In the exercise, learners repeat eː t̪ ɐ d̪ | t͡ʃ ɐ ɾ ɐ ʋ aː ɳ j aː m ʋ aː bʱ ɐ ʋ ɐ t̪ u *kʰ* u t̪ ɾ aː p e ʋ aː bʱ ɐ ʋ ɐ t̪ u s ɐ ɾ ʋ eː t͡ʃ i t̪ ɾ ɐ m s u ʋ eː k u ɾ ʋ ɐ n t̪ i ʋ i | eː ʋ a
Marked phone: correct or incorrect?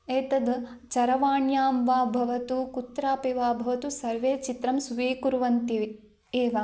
incorrect: k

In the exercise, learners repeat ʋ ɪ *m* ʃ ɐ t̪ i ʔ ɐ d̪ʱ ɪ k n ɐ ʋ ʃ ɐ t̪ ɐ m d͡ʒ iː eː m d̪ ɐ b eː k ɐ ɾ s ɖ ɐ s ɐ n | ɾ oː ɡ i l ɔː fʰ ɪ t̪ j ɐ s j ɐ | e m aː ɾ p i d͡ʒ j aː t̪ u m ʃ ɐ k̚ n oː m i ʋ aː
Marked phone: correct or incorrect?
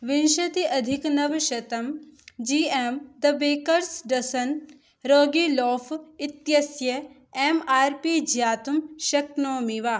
incorrect: n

